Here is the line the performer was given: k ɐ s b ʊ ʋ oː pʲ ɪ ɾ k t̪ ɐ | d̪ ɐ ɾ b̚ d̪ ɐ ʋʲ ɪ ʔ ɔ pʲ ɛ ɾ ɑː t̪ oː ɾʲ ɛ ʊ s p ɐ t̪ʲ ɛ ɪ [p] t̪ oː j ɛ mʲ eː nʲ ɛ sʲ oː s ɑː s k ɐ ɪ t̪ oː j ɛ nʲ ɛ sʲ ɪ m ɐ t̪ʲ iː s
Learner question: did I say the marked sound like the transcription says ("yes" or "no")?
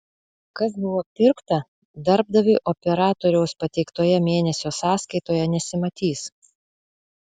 no